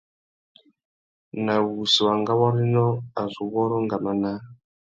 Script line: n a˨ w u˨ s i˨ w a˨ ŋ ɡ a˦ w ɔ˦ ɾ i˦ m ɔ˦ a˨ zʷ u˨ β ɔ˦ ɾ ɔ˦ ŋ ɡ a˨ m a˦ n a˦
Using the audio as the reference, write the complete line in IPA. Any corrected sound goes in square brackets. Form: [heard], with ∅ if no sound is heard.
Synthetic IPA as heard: n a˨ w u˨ s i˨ w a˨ ŋ ɡ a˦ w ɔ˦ ɾ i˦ [n] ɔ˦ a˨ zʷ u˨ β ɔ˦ ɾ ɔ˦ ŋ ɡ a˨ m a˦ n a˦